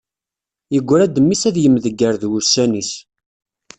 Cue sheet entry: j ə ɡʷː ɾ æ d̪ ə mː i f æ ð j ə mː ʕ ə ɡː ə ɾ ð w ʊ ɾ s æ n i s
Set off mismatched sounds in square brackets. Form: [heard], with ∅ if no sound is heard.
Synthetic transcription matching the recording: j ə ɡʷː ɾ æ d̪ ə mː i [s] æ ð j ə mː [ð] ə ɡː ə ɾ ð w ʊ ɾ s æ n i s